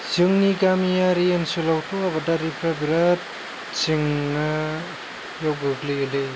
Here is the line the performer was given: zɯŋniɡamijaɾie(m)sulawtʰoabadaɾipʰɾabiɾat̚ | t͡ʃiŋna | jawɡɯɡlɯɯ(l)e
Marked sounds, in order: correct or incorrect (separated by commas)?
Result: incorrect, correct